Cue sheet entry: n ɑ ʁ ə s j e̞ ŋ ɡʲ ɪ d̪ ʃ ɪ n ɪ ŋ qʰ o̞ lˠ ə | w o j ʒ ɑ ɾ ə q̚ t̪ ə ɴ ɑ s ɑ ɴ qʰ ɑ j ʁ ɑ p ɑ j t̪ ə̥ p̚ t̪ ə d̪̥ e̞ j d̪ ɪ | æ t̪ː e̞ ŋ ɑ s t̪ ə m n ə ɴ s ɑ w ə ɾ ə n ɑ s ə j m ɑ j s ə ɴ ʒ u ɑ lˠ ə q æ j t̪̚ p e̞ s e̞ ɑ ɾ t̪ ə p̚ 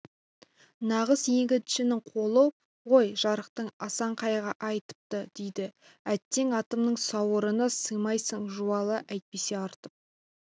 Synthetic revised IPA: n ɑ ʁ ə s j e̞ ŋ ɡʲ ɪ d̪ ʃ ɪ n ɪ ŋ qʰ o̞ lˠ ə | w o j ʒ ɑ ɾ ə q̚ t̪ ə ɴ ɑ s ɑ ɴ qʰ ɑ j ʁ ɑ ʔ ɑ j t̪ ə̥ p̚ t̪ ə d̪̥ e̞ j d̪ ɪ | æ t̪ː e̞ ŋ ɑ t̪ ə m n ə ɴ s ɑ w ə ɾ ə n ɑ s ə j m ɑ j s ə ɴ ʒ u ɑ lˠ ə ʔ æ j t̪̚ p e̞ s e̞ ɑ ɾ t̪ ə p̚